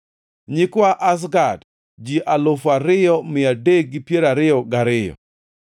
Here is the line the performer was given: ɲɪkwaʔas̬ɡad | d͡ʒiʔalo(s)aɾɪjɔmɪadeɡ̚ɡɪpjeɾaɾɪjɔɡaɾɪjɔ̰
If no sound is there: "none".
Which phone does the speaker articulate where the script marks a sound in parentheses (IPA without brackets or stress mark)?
f